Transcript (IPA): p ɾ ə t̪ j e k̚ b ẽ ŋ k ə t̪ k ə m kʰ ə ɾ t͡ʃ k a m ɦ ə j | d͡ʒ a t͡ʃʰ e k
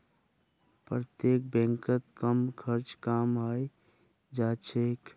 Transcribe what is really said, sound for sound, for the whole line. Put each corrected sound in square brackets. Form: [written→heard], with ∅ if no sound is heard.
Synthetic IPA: p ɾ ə t̪ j e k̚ b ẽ ŋ k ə t̪ k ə m kʰ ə ɾ t͡ʃ k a m ɦ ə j | d͡ʒ a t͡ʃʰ e k